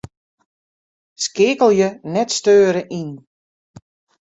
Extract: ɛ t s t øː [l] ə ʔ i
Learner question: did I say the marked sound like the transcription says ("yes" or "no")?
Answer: no